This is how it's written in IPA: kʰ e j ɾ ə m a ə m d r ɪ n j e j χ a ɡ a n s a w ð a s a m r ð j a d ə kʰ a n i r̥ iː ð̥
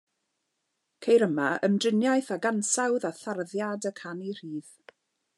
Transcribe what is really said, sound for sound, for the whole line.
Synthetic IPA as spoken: kʰ e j ɾ ə m a ə m d r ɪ n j a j θ a ɡ a n s a w ð a θ a r ð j a d ə kʰ a n i r̥ iː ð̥